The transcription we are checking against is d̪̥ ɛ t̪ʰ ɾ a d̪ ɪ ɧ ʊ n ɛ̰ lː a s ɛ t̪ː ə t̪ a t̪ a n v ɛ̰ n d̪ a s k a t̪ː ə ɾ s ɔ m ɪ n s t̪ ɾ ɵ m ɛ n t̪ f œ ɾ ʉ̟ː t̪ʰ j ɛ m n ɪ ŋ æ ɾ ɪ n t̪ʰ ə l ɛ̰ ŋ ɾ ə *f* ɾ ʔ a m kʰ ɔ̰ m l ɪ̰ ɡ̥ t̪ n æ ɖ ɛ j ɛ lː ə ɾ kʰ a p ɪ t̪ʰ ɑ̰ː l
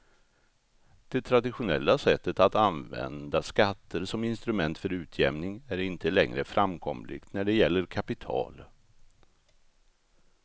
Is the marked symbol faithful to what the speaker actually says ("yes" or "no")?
yes